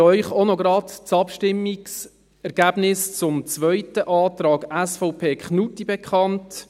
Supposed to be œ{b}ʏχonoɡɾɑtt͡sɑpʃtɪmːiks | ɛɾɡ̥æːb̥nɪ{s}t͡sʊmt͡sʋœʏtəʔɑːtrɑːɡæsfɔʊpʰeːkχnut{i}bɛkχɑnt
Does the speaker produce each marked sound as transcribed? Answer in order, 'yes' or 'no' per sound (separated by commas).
no, yes, yes